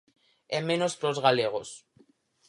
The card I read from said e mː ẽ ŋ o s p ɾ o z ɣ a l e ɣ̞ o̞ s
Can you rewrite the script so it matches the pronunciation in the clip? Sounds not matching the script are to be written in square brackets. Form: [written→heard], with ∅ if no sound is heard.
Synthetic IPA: e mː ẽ [ŋ→n] o s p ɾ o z ɣ a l e ɣ̞ o̞ s